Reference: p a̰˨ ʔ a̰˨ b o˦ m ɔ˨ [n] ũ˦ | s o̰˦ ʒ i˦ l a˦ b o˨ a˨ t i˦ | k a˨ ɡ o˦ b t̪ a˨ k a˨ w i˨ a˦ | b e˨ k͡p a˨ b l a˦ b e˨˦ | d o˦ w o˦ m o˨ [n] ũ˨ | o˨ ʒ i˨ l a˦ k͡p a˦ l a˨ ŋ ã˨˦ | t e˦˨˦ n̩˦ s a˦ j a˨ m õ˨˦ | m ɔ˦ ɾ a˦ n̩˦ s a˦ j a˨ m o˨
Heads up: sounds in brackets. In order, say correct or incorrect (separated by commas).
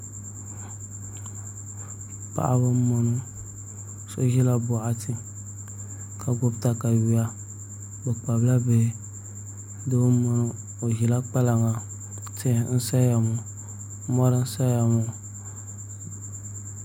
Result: correct, correct